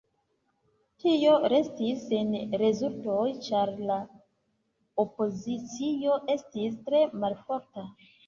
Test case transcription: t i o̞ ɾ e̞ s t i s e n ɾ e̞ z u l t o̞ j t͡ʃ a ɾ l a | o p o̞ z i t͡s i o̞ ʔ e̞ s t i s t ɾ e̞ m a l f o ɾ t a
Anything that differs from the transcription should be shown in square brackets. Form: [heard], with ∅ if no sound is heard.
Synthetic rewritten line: t i o̞ ɾ e̞ s t i s e n ɾ e̞ z u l t o̞ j t͡ʃ a ɾ l a | o p o̞ z i t͡s i o̞ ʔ e̞ s t i s t ɾ e̞ m a l f o ɾ t a